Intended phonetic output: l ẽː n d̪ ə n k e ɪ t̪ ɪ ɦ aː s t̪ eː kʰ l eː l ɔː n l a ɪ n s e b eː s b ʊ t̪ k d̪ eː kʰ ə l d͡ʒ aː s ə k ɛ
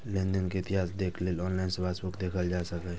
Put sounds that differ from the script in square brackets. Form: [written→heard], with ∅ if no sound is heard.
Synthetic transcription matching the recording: l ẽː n d̪ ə n k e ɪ t̪ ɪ ɦ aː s [t̪→d̪] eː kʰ l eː l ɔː n l a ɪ n s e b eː s b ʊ [t̪→∅] k d̪ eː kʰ ə l d͡ʒ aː s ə k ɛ